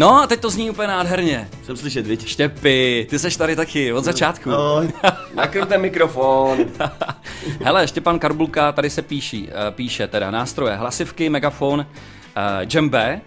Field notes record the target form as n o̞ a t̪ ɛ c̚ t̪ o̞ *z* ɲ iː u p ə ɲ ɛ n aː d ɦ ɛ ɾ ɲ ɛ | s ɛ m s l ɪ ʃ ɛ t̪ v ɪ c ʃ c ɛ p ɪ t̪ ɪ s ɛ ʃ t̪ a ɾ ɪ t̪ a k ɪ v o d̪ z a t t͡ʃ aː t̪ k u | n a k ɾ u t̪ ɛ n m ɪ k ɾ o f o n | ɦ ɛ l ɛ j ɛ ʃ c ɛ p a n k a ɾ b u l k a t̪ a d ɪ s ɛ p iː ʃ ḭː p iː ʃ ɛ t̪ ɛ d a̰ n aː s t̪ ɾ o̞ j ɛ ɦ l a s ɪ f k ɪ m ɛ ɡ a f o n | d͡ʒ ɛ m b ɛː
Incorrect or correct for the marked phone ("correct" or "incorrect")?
correct